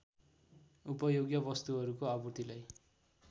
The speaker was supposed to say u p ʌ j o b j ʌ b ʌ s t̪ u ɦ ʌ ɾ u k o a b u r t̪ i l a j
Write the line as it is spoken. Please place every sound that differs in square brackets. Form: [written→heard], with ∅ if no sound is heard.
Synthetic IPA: u p ʌ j o [b→ɡ] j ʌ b ʌ s t̪ u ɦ ʌ ɾ u k o a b u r t̪ i l a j